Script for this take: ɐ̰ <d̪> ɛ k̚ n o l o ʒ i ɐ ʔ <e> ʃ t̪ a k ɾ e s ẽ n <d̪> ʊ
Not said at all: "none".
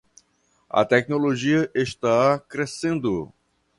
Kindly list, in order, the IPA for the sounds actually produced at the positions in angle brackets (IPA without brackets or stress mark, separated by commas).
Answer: t̪, e, d̪